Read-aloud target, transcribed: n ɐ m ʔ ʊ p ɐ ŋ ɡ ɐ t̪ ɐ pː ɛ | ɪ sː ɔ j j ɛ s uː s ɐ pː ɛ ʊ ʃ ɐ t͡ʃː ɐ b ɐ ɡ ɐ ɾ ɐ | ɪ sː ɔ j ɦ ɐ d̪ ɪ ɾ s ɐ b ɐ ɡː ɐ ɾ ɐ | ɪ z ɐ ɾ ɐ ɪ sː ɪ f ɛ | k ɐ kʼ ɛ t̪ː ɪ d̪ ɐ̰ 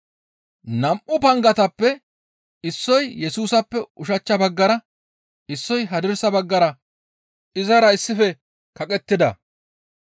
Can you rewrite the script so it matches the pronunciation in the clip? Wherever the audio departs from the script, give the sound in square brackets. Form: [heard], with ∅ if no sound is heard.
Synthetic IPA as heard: n ɐ m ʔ ʊ p ɐ ŋ ɡ ɐ t̪ ɐ pː ɛ | ɪ sː ɔ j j ɛ s uː s ɐ pː ɛ ʊ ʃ ɐ t͡ʃː ɐ b ɐ [ɡː] ɐ ɾ ɐ | ɪ sː ɔ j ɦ ɐ d̪ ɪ ɾ s ɐ b ɐ ɡː ɐ ɾ ɐ | ɪ z ɐ ɾ ɐ ɪ sː ɪ f ɛ | k ɐ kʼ ɛ t̪ː ɪ d̪ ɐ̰